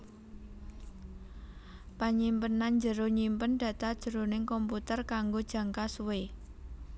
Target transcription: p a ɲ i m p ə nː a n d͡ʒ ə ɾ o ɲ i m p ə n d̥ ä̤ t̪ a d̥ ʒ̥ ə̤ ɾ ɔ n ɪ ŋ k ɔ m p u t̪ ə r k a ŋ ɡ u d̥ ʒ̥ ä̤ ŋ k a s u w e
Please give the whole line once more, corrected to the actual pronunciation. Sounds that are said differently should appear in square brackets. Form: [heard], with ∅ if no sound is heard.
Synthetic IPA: p a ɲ i m p ə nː a n d͡ʒ ə ɾ o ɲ i m p ə n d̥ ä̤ t̪ a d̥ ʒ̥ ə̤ ɾ [o] n ɪ ŋ k ɔ m p u t̪ ə r k a ŋ ɡ [o] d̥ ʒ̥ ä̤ ŋ k a s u w e